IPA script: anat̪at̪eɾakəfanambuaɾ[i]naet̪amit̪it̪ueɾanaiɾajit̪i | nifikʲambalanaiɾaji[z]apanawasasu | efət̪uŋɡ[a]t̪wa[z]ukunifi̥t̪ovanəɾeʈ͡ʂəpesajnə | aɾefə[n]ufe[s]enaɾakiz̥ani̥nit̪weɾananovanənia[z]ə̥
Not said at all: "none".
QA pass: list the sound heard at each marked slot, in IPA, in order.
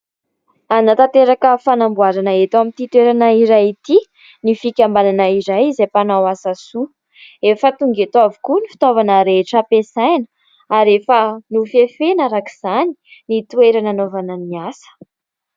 a, z, e, v, n, f, s

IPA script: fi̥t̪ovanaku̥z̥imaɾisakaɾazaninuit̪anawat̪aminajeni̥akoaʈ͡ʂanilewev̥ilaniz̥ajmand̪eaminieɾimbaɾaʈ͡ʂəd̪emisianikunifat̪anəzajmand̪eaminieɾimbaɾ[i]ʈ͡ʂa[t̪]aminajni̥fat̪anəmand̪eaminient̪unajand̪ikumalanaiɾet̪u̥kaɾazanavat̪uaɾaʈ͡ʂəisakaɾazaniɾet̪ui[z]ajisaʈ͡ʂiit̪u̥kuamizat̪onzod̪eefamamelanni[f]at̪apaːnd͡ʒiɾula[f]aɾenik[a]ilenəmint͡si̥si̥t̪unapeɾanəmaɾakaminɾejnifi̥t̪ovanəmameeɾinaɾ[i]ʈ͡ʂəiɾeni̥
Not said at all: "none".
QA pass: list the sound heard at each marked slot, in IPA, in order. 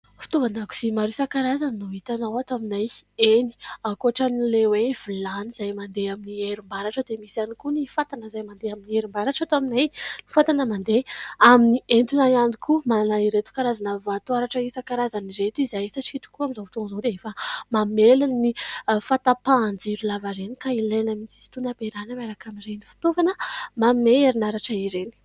a, t̪, z, f, v, a, a

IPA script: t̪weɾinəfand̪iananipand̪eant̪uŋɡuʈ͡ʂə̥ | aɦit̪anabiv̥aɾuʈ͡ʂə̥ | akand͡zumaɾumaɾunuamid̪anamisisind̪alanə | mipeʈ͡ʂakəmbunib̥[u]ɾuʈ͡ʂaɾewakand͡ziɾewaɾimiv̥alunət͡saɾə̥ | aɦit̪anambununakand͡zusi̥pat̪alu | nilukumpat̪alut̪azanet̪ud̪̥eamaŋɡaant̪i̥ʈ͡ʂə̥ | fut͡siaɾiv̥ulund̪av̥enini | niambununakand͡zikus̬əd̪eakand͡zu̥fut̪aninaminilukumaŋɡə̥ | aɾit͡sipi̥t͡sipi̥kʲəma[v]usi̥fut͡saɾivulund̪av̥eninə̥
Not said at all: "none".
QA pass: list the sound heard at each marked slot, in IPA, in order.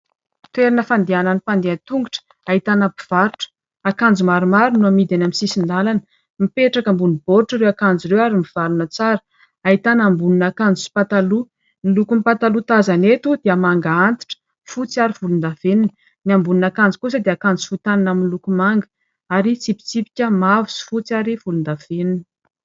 o, v

